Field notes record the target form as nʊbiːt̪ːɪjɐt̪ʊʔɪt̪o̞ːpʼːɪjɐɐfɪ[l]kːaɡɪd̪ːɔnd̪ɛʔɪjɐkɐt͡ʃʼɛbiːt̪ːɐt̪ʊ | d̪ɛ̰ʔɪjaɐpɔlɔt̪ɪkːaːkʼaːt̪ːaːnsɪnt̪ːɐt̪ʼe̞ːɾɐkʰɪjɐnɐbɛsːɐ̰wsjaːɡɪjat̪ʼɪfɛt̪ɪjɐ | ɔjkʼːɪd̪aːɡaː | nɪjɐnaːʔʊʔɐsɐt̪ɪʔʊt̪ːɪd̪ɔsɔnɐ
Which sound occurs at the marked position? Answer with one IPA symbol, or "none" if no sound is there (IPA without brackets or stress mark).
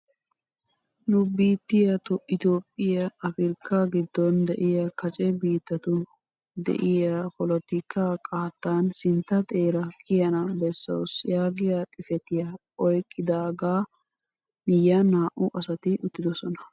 ɾ